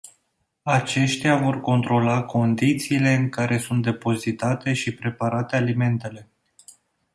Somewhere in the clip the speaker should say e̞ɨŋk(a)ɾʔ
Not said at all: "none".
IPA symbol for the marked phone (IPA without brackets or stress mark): a